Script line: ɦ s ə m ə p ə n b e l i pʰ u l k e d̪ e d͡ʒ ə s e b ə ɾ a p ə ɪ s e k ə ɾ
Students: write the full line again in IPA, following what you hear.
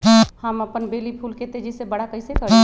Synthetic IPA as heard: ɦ h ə m ə p ə n b e l i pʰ u l k e t̪ e d͡ʒ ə s e b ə ɽ a k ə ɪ s e k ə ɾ